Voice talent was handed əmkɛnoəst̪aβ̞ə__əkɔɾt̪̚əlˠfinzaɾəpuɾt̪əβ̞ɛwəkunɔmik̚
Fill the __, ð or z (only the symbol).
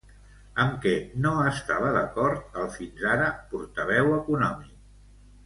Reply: ð